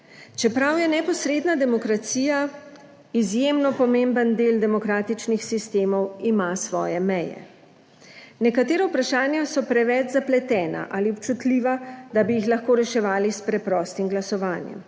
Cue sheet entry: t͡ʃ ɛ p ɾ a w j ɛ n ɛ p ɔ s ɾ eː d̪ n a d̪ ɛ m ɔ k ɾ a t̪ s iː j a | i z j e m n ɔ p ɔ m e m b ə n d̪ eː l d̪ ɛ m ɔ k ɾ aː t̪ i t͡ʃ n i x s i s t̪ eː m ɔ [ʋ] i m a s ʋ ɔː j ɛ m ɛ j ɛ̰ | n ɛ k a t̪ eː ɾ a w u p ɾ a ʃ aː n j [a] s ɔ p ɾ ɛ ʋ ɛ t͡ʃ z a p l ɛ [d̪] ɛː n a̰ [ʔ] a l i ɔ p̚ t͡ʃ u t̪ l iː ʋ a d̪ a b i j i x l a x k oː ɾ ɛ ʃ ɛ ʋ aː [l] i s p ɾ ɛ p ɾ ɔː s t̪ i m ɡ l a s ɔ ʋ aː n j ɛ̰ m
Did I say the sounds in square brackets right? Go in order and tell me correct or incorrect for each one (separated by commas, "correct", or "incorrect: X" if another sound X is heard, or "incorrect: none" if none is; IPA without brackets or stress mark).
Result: incorrect: w, correct, incorrect: t̪, correct, correct